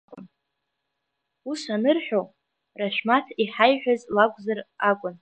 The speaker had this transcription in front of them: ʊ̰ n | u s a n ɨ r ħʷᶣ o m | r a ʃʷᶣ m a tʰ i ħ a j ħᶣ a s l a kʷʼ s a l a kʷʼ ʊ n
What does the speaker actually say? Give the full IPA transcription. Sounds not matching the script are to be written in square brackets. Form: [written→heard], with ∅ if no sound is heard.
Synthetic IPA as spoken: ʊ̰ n | u s a n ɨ r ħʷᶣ o [m→∅] | r a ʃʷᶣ m a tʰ i ħ a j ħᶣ a [s→z] l a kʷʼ [s→z] a [l→r] a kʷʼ ʊ n